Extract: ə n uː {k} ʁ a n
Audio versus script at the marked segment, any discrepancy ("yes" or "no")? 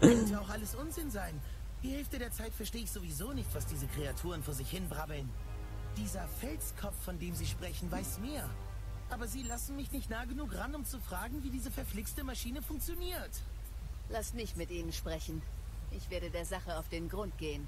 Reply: no